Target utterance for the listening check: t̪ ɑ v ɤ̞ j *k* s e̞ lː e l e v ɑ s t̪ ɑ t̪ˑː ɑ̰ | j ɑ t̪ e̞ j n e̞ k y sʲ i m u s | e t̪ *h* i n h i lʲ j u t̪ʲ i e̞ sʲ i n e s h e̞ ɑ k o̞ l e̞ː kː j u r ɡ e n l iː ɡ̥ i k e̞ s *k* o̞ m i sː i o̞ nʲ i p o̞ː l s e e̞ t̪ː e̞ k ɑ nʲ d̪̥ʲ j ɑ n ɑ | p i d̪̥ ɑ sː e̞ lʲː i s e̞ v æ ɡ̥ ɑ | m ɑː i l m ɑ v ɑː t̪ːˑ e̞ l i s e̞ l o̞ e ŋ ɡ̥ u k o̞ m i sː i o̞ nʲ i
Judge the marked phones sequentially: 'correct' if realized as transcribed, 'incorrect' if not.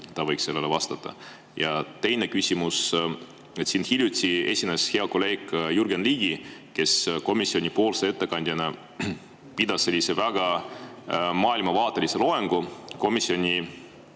correct, incorrect: s, correct

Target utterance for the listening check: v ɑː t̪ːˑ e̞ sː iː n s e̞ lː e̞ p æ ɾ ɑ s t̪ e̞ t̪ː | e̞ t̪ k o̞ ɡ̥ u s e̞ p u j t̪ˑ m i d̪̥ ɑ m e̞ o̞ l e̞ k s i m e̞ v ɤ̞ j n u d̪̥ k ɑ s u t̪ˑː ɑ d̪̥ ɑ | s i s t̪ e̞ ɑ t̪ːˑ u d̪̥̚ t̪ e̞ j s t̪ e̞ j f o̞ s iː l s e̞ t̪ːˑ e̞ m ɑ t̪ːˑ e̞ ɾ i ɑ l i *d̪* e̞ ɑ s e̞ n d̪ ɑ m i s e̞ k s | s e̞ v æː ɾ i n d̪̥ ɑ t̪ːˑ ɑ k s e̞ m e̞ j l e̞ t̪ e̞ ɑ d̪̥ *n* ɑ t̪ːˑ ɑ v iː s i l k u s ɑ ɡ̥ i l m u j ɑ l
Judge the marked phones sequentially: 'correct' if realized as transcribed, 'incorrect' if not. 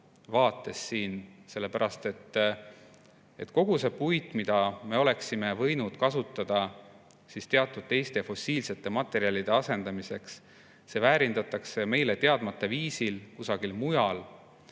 correct, incorrect: m

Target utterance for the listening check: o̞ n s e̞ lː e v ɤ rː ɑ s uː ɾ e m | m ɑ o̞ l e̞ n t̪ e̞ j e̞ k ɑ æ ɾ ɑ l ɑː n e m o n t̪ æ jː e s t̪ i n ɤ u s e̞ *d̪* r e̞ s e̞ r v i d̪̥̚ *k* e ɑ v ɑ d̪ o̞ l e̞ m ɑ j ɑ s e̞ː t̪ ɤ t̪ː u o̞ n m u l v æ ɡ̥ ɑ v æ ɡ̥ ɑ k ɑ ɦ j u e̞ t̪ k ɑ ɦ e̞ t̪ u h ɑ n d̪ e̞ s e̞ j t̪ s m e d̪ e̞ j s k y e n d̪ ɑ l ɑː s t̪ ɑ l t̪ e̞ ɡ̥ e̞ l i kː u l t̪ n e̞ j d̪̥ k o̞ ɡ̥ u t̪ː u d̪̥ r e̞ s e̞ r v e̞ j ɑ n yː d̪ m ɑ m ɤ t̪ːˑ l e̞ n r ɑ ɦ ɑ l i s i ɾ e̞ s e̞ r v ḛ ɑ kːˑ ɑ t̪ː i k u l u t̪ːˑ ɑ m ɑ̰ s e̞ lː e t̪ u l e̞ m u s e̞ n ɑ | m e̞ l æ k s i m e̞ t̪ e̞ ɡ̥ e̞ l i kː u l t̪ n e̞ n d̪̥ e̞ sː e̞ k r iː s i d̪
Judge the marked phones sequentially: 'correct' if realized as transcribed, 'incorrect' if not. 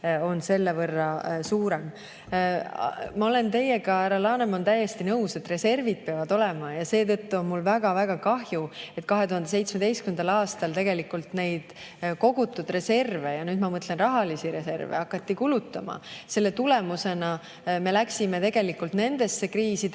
incorrect: t̪, incorrect: p

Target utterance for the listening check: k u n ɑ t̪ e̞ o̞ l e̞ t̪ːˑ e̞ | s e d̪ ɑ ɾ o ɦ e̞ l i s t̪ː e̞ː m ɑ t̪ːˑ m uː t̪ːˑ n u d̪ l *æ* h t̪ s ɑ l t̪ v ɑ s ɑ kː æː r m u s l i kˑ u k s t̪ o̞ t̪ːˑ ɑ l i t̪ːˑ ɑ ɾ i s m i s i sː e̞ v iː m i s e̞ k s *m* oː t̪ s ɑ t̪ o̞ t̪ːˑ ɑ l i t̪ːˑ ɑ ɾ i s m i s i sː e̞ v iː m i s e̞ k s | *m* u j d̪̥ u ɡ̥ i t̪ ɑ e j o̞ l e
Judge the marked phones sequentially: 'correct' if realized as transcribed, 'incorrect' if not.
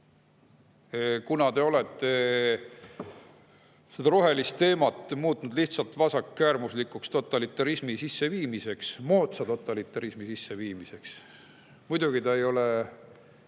incorrect: i, correct, correct

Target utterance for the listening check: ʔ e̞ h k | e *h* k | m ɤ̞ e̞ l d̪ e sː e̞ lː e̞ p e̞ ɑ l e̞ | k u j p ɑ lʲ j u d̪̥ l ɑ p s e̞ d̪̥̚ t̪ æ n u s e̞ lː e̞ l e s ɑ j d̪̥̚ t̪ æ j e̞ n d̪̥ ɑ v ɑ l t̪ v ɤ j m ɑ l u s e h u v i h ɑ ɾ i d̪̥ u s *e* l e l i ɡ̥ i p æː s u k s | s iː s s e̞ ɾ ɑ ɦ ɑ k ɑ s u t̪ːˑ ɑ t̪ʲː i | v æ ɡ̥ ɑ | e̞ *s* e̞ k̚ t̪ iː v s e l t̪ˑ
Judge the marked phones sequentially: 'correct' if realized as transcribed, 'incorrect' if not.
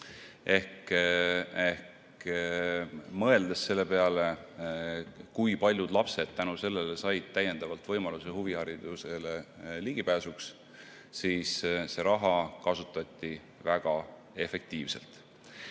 correct, correct, incorrect: f

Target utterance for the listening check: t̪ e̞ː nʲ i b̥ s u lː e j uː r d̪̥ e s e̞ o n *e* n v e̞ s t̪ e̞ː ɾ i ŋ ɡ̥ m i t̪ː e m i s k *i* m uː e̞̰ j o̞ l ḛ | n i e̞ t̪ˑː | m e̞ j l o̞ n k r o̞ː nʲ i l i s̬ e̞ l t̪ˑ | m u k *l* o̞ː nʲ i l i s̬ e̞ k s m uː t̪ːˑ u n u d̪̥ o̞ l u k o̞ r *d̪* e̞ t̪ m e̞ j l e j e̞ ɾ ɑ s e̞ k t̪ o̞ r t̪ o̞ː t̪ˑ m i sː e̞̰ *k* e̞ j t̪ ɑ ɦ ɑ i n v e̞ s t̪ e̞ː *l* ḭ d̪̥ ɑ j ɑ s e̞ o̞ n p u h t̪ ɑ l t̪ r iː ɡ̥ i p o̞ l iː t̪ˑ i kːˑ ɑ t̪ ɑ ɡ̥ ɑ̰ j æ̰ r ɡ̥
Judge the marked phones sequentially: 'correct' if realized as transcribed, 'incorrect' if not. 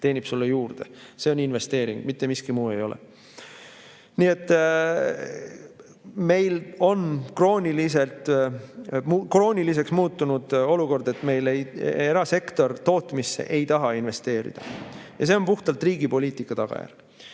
incorrect: i, correct, incorrect: r, correct, incorrect: ʔ, incorrect: ɾ

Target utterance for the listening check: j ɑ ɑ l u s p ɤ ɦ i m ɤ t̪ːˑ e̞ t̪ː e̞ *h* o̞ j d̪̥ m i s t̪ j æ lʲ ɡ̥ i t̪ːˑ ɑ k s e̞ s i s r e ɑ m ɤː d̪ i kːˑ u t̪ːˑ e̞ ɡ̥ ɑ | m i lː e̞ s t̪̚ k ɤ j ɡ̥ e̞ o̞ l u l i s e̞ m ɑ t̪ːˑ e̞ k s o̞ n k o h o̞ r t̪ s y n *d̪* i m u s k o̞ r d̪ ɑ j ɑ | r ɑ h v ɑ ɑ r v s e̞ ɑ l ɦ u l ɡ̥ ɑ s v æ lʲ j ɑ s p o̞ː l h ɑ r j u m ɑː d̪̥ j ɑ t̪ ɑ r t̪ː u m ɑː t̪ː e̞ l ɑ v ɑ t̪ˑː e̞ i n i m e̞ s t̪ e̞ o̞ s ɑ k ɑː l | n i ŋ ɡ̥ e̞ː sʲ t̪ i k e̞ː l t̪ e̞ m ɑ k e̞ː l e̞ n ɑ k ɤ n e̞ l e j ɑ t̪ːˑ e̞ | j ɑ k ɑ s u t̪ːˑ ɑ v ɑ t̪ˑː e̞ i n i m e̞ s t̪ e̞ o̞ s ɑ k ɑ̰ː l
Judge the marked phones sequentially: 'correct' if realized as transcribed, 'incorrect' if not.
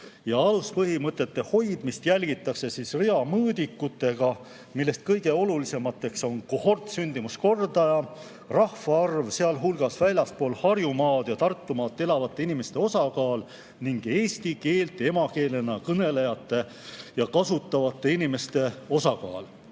correct, correct

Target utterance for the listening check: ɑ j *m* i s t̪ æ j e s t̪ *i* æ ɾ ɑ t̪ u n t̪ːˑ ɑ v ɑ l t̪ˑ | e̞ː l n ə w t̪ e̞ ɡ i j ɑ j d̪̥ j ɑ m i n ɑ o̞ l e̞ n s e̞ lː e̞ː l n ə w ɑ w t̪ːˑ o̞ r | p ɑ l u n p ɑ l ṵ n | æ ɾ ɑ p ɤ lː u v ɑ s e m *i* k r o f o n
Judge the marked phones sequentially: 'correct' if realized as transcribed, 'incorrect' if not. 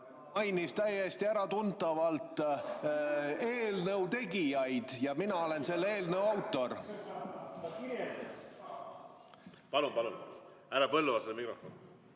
incorrect: n, correct, correct

